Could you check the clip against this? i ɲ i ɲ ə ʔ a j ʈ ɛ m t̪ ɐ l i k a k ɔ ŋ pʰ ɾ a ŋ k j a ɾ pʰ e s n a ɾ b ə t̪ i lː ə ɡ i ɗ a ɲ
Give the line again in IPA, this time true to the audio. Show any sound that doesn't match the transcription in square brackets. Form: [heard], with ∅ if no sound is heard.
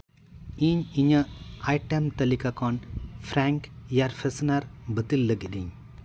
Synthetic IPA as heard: i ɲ i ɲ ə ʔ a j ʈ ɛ m t̪ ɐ l i k a k ɔ [n] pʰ ɾ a ŋ k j a ɾ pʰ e s n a ɾ b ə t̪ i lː ə ɡ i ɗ [i] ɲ